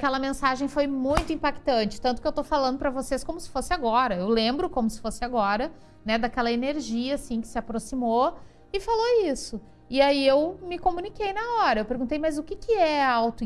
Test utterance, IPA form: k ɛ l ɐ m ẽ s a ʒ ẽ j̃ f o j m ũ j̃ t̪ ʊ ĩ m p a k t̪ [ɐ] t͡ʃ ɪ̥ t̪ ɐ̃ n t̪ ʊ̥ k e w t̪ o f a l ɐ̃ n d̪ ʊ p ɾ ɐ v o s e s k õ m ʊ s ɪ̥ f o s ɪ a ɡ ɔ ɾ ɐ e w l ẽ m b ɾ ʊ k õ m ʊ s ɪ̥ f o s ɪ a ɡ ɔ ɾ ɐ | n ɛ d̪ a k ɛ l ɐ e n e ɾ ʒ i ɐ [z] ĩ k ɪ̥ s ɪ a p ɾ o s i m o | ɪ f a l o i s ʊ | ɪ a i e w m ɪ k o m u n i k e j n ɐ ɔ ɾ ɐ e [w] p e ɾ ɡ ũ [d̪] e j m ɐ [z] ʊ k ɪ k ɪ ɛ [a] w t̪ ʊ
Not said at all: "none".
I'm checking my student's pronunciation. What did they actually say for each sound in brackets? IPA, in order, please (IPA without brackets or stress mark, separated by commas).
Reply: ɐ̃, s, w, t̪, z, a